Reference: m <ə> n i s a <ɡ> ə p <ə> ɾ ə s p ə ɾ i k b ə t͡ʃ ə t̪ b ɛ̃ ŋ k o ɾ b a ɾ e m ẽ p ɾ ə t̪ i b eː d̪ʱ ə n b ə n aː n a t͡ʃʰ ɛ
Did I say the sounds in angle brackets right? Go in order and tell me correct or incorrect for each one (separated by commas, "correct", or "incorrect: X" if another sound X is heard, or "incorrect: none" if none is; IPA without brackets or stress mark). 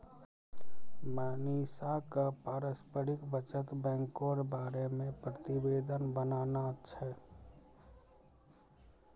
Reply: incorrect: a, incorrect: k, incorrect: a